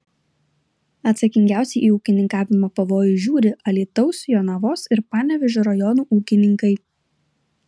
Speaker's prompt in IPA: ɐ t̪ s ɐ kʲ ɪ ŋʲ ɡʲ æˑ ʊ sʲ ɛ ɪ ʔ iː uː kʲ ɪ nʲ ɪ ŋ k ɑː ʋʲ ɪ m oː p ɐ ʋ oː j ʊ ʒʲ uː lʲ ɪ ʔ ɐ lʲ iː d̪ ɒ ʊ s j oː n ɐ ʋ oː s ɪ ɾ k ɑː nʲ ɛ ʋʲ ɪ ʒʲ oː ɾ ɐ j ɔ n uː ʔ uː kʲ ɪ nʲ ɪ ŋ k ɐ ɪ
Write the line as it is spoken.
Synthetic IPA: ɐ t̪ s ɐ kʲ ɪ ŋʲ ɡʲ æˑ ʊ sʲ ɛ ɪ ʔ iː uː kʲ ɪ nʲ ɪ ŋ k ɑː ʋʲ ɪ m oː p ɐ ʋ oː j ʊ ʒʲ uː ɾʲ ɪ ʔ ɐ lʲ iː t̪ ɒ ʊ s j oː n ɐ ʋ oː s ɪ ɾ p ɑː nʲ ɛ ʋʲ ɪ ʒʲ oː ɾ ɐ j ɔ n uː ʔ uː kʲ ɪ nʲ ɪ ŋ k ɐ ɪ